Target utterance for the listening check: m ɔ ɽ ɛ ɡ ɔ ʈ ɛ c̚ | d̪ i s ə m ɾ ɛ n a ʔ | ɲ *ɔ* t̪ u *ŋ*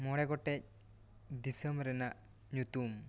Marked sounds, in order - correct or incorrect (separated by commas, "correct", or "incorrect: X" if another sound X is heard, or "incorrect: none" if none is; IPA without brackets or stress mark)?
incorrect: u, incorrect: m